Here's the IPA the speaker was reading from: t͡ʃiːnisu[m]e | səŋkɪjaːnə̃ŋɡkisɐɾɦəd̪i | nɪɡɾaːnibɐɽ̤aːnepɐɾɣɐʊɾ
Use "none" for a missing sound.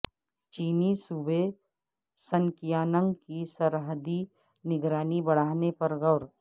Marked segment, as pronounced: b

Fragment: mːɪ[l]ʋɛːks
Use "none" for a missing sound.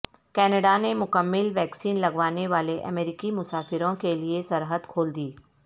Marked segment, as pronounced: l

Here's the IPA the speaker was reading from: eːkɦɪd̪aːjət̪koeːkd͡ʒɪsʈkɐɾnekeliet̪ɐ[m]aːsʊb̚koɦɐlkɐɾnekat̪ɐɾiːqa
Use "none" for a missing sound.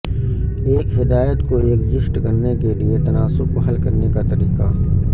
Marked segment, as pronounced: n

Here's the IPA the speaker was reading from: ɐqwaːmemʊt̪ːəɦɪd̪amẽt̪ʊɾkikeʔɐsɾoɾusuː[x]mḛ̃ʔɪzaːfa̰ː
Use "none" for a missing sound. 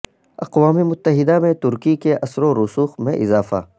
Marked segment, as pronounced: x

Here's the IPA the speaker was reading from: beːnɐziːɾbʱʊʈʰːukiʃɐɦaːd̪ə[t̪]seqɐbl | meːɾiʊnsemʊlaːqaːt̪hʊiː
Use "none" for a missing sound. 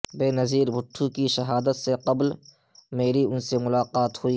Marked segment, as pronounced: t̪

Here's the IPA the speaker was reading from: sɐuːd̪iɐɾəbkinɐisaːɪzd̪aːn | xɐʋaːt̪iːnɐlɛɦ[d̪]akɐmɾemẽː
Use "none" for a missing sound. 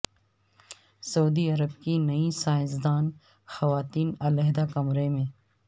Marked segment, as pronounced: d̪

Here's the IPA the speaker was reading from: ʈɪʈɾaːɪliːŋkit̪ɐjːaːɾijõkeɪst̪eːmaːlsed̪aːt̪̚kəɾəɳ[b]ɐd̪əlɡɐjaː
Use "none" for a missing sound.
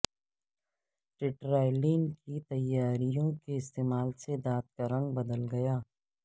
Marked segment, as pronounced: b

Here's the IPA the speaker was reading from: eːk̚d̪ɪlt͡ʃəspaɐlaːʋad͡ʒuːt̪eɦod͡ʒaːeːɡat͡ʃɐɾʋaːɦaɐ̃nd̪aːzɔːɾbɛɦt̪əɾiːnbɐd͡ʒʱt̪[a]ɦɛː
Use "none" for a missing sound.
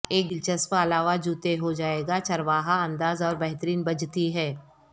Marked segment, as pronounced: i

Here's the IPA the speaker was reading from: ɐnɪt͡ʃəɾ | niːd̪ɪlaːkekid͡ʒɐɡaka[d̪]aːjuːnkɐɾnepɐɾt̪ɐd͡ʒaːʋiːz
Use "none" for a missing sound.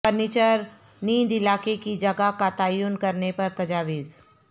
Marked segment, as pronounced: t̪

